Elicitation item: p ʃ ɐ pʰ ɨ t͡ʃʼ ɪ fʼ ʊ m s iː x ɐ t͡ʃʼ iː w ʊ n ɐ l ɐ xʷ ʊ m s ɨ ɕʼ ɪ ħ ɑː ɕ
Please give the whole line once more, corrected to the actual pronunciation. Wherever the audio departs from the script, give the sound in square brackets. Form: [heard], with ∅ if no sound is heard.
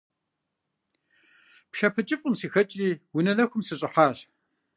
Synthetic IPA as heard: p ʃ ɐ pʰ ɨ t͡ʃʼ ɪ fʼ ʊ m s iː x ɐ t͡ʃʼ iː w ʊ n ɐ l ɐ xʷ ʊ m s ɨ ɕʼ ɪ ħ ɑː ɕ